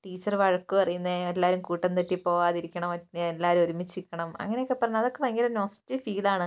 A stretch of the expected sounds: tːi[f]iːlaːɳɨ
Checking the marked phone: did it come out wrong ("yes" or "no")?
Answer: no